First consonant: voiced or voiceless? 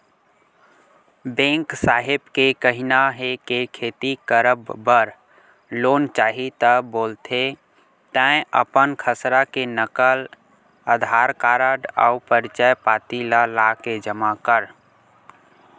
voiced